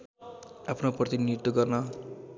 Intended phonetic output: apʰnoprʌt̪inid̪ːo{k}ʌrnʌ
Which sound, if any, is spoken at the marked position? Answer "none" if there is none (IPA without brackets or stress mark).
ɡ